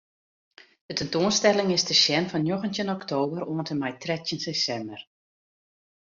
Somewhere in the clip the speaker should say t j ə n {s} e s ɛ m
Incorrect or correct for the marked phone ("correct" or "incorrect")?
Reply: correct